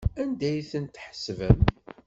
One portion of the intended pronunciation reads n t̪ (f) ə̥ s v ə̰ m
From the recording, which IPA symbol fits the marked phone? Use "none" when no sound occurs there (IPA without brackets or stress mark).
ħ